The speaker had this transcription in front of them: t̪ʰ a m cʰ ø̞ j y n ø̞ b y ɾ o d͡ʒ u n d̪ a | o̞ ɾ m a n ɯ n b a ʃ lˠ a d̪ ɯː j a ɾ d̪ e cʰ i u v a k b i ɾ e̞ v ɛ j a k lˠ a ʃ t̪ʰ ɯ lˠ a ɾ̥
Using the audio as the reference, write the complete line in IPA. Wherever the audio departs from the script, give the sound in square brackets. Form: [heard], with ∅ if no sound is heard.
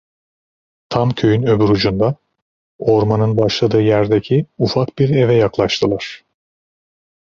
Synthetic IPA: t̪ʰ a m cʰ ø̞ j y n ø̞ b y ɾ [u] d͡ʒ u n d̪ a | o̞ ɾ m a n ɯ n b a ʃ lˠ a d̪ ɯː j [æ] ɾ d̪ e cʰ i u [f] a k b i ɾ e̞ v ɛ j a k lˠ a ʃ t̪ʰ ɯ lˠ a ɾ̥

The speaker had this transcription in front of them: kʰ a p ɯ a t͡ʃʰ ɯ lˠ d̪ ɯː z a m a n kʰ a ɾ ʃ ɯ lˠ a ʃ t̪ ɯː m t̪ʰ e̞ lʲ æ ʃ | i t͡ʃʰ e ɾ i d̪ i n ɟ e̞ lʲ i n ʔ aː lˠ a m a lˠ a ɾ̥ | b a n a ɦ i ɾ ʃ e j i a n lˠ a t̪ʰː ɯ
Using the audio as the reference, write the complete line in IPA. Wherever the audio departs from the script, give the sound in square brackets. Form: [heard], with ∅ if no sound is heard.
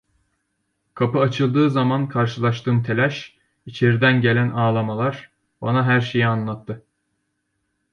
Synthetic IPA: kʰ a p ɯ a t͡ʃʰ ɯ lˠ d̪ ɯː z a m a n kʰ a ɾ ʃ ɯ lˠ a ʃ t̪ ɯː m t̪ʰ e̞ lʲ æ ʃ | i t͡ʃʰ e ɾ i d̪ [æ] n ɟ e̞ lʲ [æ] n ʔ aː lˠ a m a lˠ a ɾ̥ | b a n a ɦ [æ] ɾ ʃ e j i a n lˠ a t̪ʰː ɯ

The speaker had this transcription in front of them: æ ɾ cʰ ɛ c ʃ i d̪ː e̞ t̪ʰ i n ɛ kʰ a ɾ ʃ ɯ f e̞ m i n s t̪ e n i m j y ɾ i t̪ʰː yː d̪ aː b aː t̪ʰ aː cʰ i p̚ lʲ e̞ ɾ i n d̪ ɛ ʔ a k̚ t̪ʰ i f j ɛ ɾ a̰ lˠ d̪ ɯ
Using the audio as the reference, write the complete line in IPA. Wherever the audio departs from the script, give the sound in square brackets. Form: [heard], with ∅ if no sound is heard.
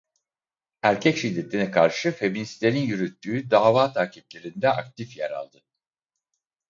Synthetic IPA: æ ɾ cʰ ɛ c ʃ i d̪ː e̞ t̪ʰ i n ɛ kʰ a ɾ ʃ ɯ f e̞ m i n s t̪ e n i [n] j y ɾ [y] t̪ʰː yː d̪ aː [v] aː t̪ʰ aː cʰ i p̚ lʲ e̞ ɾ i n d̪ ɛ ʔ a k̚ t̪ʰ i f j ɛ ɾ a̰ lˠ d̪ ɯ

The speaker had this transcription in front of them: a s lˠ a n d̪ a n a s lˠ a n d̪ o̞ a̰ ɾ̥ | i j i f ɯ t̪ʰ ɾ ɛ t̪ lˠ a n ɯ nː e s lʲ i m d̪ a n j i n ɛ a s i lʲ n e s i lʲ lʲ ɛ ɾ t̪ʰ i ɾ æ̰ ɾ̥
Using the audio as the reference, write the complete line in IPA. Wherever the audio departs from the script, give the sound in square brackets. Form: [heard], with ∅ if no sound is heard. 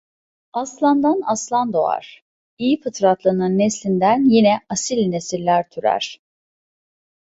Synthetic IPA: a s lˠ a n d̪ a n a s lˠ a n d̪ o̞ a̰ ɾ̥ | i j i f ɯ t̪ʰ ɾ [a] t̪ lˠ a n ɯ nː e s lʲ i [n] d̪ [æ] n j i n ɛ a s i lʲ n e s i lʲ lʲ [æ] ɾ t̪ʰ [y] ɾ æ̰ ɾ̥

